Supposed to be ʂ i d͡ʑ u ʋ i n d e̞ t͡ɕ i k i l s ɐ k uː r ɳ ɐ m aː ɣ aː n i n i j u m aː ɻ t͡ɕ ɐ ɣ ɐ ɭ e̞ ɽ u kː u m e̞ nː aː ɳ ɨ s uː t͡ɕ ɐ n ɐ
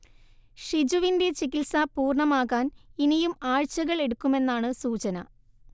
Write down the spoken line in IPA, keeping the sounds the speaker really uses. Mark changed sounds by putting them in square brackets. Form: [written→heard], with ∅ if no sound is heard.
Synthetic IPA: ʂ i d͡ʑ u ʋ i n d e̞ t͡ɕ i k i l s ɐ [k→p] uː r ɳ ɐ m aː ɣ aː n i n i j u m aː ɻ t͡ɕ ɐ ɣ ɐ ɭ e̞ ɽ u kː u m e̞ nː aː ɳ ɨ s uː t͡ɕ ɐ n ɐ